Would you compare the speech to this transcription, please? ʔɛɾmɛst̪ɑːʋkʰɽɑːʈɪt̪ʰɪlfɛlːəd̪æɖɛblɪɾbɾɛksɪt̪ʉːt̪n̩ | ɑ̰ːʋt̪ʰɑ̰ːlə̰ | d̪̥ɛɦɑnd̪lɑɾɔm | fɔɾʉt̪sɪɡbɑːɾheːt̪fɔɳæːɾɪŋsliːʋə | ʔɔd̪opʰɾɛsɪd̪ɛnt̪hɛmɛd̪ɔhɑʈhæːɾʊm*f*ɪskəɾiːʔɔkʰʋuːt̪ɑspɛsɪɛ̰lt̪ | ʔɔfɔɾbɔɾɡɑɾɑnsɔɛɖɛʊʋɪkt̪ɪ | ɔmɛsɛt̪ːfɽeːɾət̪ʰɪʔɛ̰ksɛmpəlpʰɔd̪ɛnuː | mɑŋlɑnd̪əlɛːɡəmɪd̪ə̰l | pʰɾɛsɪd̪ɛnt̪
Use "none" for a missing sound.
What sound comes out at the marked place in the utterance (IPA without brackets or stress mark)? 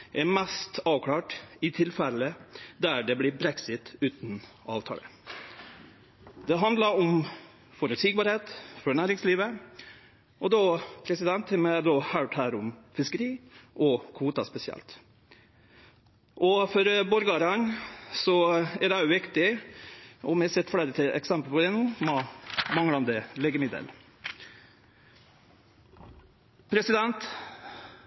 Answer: f